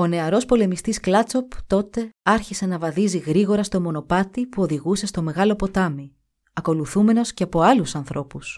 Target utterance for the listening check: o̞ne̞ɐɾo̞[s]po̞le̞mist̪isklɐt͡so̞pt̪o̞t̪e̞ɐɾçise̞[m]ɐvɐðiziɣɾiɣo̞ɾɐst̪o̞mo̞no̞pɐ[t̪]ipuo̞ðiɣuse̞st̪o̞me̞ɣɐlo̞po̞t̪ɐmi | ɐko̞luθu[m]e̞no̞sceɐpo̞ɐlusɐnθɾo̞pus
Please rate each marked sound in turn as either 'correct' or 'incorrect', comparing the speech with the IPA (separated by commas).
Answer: correct, incorrect, correct, correct